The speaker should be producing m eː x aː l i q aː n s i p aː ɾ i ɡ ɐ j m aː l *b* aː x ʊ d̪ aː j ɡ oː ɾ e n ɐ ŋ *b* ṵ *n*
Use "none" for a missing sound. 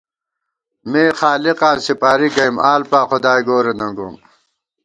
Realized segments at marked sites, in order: p, ɡ, m

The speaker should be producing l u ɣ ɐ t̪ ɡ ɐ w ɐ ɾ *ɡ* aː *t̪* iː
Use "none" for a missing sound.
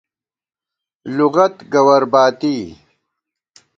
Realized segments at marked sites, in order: b, t̪

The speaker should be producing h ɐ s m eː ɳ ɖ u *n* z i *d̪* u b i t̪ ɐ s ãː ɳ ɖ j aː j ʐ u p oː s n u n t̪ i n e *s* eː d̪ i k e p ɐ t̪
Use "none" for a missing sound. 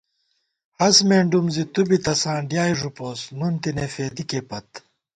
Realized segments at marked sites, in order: m, t̪, f

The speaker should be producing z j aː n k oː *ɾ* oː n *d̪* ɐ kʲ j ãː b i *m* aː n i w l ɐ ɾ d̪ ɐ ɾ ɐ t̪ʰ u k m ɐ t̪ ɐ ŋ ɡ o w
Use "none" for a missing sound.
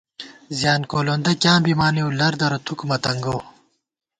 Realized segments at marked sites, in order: l, d̪, m

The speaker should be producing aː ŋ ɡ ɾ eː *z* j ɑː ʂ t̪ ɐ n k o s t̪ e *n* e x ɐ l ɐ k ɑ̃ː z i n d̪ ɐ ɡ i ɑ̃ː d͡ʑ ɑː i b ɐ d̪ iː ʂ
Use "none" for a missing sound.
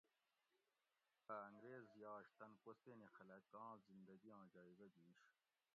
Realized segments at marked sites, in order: z, n

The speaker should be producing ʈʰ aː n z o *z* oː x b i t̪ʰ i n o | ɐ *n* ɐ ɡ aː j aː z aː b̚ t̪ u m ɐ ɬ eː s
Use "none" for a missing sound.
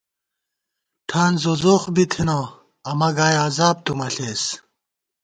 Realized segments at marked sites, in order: z, m

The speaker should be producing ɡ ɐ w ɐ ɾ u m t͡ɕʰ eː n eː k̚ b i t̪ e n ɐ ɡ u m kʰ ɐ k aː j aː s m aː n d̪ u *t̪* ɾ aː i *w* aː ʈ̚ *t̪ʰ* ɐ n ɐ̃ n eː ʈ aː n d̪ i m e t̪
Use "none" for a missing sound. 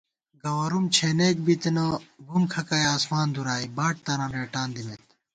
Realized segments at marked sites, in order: none, b, t̪

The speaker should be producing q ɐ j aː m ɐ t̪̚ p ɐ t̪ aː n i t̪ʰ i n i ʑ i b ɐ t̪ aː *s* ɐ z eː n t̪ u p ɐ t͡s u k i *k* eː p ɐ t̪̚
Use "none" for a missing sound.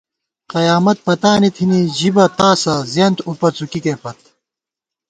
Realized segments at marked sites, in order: s, k

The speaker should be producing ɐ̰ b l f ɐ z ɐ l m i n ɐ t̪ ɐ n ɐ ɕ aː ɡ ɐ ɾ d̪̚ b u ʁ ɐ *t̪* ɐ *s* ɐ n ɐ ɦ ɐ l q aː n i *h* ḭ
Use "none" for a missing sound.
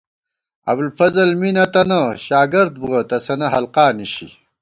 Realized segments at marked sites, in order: t̪, s, ɕ

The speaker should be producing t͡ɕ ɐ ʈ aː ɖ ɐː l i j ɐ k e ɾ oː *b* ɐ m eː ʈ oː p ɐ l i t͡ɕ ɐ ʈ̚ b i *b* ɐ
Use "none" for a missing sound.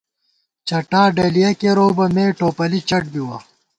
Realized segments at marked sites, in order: b, w

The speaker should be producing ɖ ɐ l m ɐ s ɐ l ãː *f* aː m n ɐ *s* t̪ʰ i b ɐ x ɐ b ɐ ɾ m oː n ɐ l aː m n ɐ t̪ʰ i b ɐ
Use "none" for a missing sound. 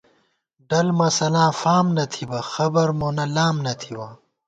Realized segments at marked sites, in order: f, none

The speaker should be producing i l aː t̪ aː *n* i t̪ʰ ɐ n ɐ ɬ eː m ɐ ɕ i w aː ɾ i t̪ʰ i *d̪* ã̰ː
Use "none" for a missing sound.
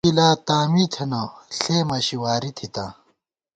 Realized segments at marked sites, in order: m, t̪

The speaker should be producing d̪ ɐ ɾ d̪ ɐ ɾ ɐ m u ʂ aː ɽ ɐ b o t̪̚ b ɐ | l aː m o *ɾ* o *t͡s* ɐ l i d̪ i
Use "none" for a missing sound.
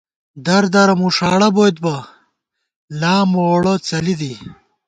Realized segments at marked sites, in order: ɽ, t͡s

